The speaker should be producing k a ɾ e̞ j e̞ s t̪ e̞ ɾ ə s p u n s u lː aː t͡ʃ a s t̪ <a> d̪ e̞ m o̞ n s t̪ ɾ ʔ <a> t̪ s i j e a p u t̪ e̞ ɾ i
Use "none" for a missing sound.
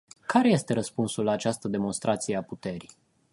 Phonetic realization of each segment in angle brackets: ə, a

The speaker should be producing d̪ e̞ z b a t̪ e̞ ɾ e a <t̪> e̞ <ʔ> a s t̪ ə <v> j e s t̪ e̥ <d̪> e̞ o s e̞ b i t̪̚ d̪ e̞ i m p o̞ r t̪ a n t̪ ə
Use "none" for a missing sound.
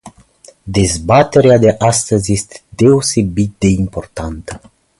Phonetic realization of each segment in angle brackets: d̪, ʔ, z, d̪

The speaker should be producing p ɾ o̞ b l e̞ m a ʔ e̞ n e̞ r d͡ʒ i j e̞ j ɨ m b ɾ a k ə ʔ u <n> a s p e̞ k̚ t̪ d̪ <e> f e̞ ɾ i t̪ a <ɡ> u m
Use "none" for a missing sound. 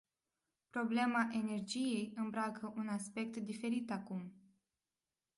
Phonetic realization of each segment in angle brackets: n, i, k

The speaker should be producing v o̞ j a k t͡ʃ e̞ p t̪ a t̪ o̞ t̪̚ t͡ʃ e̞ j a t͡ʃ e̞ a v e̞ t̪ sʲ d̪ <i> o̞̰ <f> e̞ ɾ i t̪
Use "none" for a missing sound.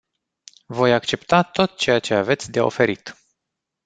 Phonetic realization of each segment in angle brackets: e, f

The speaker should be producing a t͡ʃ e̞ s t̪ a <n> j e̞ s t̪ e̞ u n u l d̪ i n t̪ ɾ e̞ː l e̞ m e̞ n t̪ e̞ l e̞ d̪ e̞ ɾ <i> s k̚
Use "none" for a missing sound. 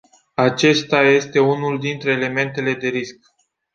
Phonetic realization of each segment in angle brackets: none, i

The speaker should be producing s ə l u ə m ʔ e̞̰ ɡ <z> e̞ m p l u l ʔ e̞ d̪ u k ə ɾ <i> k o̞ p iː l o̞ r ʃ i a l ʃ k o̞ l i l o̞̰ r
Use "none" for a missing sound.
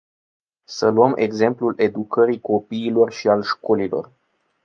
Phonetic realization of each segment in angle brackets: z, i

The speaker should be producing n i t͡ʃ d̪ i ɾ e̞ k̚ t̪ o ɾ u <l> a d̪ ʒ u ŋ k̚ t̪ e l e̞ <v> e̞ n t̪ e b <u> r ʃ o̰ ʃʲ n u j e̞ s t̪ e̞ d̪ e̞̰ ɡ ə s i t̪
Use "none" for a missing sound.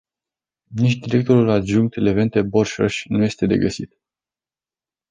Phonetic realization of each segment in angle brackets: l, v, o

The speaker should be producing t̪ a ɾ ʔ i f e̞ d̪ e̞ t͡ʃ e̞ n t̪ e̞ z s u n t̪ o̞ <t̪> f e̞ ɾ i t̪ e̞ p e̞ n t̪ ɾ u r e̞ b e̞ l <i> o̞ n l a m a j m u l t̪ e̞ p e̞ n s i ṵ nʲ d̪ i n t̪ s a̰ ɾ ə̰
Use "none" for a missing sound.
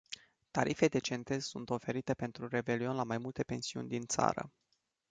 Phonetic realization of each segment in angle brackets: none, i

